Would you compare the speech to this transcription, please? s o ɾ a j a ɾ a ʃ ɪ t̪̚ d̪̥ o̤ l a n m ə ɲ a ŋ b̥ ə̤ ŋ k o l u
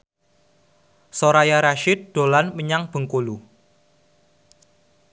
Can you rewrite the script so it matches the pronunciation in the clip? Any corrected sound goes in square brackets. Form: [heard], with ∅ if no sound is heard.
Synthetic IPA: s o ɾ a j a ɾ a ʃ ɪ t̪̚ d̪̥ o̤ l a n m ə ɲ a ŋ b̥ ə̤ ŋ k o l u